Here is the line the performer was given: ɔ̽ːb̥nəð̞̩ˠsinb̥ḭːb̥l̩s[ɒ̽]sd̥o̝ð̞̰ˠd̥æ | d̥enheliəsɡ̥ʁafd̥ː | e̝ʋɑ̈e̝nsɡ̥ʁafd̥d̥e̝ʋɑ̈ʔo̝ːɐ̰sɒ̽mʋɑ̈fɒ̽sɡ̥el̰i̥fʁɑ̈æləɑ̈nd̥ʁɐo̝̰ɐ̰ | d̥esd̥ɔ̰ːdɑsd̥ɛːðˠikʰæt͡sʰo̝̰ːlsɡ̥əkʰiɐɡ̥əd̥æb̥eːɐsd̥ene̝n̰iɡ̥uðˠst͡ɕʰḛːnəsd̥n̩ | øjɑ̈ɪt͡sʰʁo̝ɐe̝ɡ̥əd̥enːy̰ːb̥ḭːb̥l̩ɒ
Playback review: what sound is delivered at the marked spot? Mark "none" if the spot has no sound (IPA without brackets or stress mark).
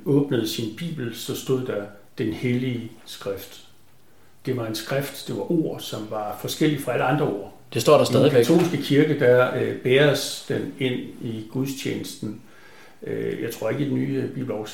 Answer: ɒ̽